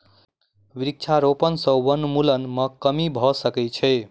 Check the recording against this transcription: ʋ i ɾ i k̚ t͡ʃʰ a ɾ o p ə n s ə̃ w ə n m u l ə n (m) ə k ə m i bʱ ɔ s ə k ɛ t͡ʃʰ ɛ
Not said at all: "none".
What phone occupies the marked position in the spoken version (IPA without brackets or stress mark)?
m